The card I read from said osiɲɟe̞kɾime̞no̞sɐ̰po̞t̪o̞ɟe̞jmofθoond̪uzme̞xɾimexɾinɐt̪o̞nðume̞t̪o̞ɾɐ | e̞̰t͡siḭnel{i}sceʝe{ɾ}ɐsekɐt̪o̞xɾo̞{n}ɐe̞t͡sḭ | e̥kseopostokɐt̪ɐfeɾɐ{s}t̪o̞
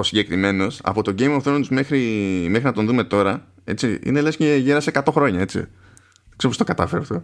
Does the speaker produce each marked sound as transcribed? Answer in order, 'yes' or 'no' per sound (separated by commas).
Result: no, yes, no, no